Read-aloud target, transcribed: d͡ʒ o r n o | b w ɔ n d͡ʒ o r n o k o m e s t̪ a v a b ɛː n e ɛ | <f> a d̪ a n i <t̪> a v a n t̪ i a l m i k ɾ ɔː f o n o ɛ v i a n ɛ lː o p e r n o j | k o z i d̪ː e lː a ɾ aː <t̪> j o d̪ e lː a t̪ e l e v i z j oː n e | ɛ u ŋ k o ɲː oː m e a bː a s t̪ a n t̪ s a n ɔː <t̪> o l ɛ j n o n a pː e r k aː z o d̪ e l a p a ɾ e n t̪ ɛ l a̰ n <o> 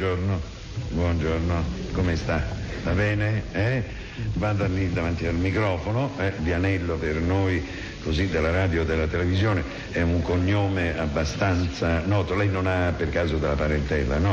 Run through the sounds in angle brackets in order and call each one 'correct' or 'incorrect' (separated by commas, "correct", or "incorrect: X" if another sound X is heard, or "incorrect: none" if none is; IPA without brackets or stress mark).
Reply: incorrect: v, incorrect: d̪, incorrect: d̪, correct, incorrect: ɔ